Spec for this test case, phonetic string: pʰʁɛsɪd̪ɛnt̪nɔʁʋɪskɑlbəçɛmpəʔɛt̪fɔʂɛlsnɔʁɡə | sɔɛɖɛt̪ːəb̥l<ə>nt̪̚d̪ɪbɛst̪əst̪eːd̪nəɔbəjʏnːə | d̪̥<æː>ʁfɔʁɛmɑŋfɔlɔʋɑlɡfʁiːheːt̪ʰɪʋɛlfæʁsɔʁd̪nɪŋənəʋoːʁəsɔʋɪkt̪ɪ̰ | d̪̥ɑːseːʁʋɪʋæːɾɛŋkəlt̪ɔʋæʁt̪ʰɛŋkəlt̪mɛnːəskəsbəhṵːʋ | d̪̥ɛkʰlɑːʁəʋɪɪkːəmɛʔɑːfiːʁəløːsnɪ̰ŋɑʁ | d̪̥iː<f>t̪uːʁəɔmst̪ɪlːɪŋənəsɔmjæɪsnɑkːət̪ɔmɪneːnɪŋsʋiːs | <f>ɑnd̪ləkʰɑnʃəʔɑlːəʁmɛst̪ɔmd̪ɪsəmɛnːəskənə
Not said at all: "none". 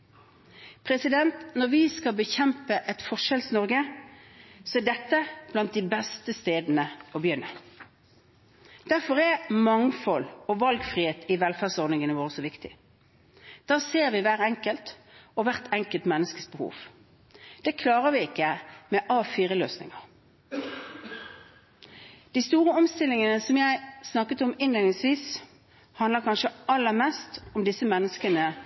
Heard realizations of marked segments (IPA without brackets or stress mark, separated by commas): ɑ, æ, s, h